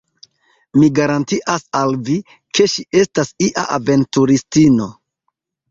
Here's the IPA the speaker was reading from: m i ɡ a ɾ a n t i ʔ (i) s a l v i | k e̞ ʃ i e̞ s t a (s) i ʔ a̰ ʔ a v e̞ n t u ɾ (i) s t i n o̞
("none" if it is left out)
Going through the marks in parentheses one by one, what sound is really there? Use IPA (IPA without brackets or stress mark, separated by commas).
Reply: a, s, i